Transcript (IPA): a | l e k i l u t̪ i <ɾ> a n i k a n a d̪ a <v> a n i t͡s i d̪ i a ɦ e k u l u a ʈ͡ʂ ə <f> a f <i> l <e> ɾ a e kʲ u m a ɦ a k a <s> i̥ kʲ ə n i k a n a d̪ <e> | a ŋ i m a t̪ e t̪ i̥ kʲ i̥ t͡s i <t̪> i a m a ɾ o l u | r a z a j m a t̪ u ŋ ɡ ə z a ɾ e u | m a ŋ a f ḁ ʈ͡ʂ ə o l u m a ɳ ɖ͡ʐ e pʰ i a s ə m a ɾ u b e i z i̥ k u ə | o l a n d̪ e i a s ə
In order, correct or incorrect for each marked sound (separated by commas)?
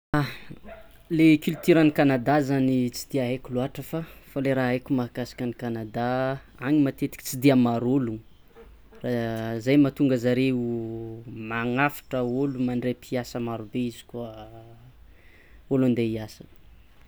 correct, incorrect, correct, incorrect, correct, correct, incorrect, incorrect